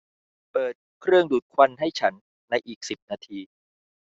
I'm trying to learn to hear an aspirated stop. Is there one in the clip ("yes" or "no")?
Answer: yes